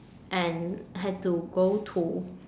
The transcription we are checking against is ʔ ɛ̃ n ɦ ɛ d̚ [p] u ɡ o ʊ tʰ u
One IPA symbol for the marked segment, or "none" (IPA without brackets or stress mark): t